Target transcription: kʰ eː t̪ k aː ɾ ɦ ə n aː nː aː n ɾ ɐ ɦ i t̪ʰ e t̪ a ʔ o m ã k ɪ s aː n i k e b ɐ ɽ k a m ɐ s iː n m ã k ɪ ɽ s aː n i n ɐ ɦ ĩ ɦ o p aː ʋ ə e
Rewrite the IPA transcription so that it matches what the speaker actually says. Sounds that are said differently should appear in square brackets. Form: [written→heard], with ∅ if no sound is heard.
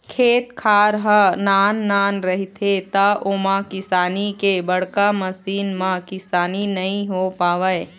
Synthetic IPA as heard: kʰ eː t̪ [k→kʰ] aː ɾ ɦ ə n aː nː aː n ɾ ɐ ɦ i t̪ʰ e t̪ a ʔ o m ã k ɪ s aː n i k e b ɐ ɽ k a m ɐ s iː n m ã k ɪ [ɽ→∅] s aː n i n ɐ ɦ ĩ ɦ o p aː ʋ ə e